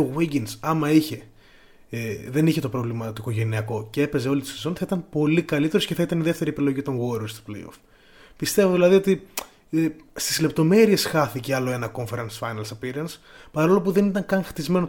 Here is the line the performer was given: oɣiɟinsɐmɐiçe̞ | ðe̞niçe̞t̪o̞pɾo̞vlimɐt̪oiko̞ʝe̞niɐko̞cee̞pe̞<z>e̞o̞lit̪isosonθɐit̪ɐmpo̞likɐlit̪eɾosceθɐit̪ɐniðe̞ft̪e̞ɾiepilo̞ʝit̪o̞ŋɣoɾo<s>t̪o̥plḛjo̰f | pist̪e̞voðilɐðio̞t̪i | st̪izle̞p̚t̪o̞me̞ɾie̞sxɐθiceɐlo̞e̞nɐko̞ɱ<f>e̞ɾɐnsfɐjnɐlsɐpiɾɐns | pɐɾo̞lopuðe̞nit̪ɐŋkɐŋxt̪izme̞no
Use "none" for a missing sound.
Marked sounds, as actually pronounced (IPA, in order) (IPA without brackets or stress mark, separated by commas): z, s, f